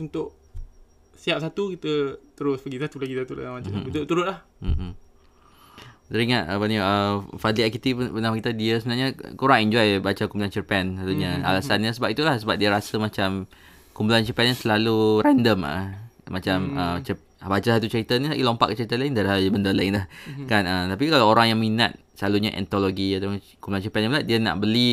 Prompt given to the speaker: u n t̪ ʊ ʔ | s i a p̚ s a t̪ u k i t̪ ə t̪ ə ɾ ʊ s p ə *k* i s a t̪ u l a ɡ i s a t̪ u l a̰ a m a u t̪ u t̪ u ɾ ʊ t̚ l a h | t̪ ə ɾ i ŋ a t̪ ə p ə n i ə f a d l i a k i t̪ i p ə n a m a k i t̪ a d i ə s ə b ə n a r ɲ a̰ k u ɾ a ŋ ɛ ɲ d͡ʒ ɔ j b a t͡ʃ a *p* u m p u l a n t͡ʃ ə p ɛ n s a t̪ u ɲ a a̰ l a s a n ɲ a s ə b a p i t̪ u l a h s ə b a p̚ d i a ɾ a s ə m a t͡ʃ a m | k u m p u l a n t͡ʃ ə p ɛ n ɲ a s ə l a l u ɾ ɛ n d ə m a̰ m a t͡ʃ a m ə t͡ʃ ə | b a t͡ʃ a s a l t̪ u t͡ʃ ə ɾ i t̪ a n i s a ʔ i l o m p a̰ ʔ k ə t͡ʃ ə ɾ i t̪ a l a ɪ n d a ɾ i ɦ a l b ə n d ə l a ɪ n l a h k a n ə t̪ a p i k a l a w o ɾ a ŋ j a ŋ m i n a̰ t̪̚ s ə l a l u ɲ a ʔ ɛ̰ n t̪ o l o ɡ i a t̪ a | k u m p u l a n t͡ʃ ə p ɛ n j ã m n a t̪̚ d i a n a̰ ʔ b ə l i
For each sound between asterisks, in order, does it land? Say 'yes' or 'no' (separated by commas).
no, no